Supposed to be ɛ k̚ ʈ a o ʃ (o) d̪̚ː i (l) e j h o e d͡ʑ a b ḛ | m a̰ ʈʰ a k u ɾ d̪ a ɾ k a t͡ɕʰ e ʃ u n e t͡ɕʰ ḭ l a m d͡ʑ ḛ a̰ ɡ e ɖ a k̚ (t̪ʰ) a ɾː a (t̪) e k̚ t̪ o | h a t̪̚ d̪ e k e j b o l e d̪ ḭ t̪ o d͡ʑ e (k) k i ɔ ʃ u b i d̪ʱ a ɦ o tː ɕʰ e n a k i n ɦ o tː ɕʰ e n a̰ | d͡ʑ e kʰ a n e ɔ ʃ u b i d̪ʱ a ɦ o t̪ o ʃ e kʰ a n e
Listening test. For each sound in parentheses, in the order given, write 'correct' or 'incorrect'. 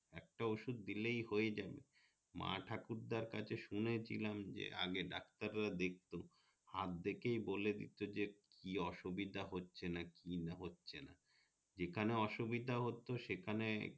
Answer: incorrect, correct, incorrect, incorrect, correct

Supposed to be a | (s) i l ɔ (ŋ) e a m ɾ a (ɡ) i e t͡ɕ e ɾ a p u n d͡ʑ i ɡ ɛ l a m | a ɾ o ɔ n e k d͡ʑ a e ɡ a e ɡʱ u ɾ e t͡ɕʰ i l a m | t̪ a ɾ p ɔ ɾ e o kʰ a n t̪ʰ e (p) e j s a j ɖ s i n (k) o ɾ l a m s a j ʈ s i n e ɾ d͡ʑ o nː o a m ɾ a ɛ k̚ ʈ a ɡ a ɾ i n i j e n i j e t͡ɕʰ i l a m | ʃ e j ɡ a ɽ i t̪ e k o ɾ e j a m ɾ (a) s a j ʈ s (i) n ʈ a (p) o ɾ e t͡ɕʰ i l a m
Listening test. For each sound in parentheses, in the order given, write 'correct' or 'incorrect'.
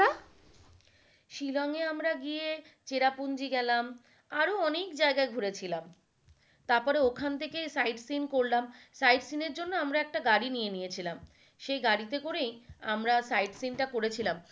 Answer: incorrect, correct, correct, incorrect, correct, correct, correct, incorrect

